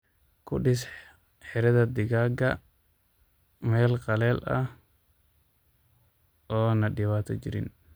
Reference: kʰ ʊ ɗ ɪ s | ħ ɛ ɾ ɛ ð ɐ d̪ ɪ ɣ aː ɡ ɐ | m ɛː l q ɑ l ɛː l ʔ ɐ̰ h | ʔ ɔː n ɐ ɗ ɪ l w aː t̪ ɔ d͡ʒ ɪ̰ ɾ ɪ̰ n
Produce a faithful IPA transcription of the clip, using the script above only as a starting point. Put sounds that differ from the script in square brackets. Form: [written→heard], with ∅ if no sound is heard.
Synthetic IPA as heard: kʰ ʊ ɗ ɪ s | ħ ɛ ɾ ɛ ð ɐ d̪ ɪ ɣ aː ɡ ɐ | m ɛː l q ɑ l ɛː l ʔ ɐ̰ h | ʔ ɔː n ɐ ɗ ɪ [l→∅] w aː t̪ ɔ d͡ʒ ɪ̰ ɾ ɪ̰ n